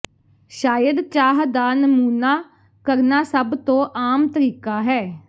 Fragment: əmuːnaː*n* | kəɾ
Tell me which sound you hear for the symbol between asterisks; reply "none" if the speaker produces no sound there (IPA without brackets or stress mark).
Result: none